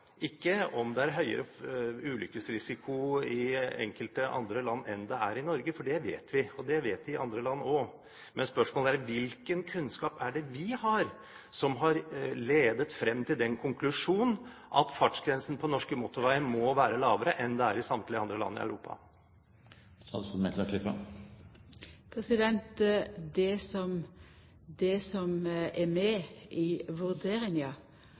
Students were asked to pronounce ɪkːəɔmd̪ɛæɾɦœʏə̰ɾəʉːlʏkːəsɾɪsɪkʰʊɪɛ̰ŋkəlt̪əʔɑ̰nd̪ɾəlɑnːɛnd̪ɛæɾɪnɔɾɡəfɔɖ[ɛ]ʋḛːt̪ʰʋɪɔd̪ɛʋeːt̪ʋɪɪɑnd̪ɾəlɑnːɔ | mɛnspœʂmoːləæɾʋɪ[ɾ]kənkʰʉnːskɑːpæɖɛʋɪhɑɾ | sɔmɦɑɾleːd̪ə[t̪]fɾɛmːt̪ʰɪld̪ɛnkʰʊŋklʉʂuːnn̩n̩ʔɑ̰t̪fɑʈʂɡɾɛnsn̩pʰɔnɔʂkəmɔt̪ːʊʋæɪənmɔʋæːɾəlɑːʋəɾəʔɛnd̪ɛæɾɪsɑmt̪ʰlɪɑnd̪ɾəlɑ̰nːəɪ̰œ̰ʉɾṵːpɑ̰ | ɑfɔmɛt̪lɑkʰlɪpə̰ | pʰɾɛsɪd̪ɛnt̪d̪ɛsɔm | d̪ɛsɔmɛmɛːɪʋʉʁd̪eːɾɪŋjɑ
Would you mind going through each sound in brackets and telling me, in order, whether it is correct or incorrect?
correct, incorrect, correct

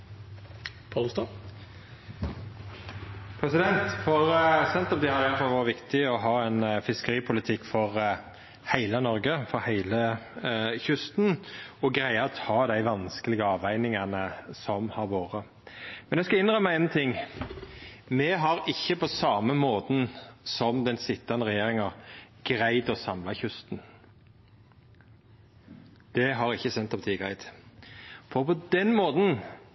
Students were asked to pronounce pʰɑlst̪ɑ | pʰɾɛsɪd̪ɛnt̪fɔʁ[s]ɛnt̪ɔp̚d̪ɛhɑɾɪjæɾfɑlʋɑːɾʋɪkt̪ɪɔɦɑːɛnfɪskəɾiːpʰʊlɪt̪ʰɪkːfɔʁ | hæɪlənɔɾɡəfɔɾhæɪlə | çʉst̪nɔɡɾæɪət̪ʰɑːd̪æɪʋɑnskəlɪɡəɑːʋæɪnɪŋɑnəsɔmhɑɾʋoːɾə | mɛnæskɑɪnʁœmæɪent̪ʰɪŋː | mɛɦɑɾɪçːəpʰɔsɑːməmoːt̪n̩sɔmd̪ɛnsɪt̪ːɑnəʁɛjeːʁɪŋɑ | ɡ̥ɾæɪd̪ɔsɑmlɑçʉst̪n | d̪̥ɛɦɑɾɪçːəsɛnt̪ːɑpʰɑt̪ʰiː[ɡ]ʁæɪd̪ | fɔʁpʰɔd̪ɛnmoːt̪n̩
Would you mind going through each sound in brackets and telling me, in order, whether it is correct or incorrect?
correct, correct

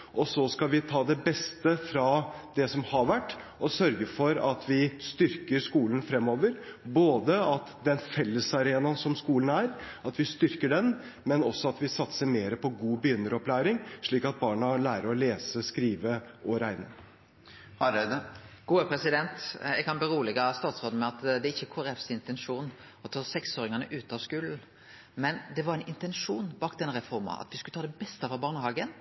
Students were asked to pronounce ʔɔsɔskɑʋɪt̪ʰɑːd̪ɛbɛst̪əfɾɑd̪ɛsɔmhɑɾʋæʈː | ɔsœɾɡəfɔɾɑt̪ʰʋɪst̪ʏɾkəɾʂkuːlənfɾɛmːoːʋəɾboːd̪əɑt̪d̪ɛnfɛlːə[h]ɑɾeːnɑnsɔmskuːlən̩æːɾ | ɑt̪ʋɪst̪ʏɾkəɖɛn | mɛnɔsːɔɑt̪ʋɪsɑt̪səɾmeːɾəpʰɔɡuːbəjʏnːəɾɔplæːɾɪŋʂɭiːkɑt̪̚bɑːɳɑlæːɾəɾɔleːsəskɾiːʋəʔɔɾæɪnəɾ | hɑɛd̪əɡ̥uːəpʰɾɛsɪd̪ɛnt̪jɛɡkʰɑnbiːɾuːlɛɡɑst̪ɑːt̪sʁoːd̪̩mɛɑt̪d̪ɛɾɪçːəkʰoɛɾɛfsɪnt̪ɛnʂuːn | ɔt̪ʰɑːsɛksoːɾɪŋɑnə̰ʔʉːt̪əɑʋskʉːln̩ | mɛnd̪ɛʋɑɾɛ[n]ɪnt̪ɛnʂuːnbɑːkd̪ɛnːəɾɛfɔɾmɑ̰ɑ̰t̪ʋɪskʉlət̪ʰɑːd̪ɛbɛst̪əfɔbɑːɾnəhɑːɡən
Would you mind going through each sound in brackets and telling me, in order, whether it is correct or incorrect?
incorrect, correct

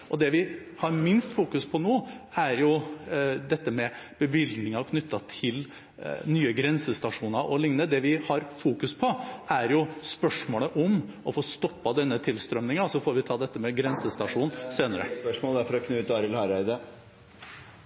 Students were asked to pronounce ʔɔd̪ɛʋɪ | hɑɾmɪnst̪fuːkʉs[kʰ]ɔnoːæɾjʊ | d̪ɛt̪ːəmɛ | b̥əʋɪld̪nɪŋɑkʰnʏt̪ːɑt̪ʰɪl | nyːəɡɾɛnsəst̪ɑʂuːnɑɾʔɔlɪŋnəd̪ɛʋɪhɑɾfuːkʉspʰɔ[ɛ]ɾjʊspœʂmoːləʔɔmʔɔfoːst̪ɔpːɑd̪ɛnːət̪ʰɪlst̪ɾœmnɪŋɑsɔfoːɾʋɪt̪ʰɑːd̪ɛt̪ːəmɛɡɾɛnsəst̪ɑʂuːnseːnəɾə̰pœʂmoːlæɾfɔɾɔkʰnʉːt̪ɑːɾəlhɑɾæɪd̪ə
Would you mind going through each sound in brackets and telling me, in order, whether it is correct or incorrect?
incorrect, incorrect

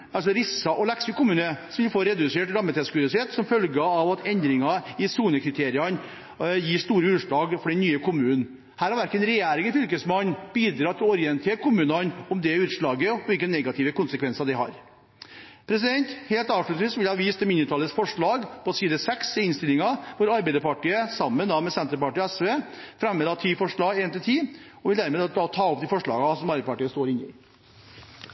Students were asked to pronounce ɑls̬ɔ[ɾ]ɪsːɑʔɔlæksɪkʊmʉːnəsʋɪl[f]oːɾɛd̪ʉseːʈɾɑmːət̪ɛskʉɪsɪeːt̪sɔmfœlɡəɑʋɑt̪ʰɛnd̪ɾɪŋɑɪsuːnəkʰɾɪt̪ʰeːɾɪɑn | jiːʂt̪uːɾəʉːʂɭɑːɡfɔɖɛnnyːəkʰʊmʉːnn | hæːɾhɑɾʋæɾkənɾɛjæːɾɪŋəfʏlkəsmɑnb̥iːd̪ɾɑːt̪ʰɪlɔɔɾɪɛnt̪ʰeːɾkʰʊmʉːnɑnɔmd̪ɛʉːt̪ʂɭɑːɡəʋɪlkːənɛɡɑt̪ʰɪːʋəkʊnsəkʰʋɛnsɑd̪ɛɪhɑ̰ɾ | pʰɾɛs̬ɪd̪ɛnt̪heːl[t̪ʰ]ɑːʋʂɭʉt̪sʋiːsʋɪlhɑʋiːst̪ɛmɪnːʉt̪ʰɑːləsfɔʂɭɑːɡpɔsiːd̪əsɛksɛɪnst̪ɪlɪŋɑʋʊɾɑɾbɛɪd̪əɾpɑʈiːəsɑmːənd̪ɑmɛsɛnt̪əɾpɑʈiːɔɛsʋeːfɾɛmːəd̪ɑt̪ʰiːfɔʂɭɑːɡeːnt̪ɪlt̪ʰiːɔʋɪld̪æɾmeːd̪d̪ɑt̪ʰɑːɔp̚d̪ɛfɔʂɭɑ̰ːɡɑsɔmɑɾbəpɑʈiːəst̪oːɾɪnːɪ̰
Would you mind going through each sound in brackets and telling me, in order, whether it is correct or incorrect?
correct, correct, incorrect

